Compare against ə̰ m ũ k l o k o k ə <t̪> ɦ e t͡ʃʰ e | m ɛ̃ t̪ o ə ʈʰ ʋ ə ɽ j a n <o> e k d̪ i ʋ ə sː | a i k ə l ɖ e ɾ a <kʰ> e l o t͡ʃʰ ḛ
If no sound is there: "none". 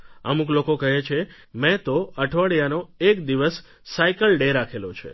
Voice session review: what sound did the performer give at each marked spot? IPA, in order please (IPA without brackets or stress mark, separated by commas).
none, o, kʰ